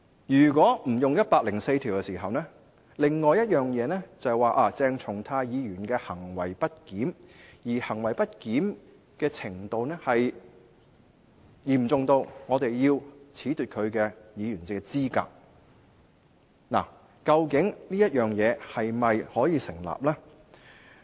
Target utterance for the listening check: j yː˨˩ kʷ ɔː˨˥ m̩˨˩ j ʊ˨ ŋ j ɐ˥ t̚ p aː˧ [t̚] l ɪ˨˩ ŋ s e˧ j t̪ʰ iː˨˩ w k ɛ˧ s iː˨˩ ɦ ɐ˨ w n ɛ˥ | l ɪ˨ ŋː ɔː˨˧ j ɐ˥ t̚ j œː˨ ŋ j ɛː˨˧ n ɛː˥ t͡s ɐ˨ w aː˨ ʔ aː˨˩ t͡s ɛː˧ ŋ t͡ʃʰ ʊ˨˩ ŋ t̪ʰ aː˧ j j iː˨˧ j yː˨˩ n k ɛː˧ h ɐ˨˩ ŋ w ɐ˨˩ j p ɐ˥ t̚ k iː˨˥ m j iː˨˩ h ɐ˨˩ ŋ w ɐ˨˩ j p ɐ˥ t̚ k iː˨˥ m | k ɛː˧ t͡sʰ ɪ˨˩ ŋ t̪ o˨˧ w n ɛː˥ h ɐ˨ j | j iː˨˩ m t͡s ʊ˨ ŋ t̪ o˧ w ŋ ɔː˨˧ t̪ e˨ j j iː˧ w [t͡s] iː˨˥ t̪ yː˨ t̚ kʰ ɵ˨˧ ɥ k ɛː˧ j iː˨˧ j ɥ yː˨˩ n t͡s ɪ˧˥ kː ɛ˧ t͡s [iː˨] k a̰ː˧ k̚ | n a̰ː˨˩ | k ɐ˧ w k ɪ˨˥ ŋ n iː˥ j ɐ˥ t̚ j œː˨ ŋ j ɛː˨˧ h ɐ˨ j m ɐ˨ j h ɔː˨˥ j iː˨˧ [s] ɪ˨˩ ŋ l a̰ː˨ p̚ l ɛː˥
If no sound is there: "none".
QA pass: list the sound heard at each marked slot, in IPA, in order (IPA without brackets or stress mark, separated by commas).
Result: k̚, t͡sʰ, iː˥, s